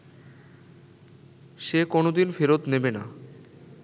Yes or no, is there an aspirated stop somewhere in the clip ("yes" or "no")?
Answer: no